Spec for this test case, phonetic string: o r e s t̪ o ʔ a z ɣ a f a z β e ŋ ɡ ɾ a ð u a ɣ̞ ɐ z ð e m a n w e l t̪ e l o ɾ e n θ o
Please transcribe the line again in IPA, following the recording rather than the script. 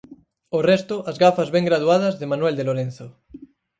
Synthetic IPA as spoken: o r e s t̪ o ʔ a z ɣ a f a z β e ŋ ɡ ɾ a ð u a ð̞ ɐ z ð e m a n w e l d̪ e l o ɾ e n θ o